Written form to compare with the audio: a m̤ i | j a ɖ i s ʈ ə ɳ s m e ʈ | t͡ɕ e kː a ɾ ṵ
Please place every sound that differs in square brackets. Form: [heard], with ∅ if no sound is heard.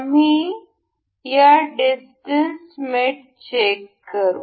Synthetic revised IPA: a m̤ i | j a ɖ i s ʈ ə [n] s m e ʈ | t͡ɕ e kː [ə] ɾ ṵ